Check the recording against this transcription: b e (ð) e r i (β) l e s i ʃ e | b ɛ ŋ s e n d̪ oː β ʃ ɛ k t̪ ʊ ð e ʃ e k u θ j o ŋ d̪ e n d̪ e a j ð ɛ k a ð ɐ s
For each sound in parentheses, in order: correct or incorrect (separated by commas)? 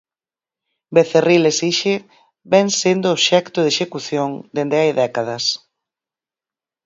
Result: incorrect, incorrect